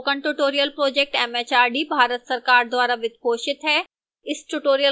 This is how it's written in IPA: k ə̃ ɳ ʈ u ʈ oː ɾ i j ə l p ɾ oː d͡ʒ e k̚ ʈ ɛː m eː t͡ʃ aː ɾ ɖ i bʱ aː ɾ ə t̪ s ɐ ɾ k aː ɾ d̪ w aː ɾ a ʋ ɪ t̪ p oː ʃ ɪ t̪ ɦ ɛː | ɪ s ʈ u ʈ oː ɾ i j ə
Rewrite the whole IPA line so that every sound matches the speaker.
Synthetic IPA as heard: k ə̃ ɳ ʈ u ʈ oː ɾ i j ə l p ɾ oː d͡ʒ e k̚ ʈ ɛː m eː t͡ʃ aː ɾ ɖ i bʱ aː ɾ ə t̪ s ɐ ɾ k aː ɾ d̪ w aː ɾ a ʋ ɪ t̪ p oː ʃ ɪ t̪ ɦ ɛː | ɪ s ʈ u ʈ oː ɾ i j ə